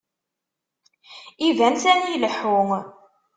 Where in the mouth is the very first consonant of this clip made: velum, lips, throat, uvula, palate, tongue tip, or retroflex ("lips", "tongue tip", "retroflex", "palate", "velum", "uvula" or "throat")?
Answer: lips